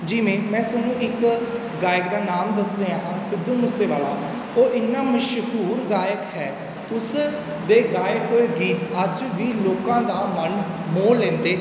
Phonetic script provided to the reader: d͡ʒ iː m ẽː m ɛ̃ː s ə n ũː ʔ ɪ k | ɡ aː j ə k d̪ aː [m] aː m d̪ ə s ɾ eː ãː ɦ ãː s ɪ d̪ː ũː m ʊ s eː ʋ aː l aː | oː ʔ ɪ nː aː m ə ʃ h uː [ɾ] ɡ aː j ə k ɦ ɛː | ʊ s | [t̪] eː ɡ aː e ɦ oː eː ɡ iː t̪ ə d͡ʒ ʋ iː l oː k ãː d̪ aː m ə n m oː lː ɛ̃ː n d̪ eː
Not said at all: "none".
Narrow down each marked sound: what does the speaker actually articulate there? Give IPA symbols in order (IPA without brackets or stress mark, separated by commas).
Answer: n, ɾ, d̪